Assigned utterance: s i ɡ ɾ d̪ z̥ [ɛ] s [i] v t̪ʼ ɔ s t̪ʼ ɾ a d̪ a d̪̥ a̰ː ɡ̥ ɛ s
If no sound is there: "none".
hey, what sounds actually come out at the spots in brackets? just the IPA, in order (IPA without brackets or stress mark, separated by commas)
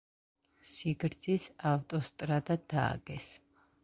i, a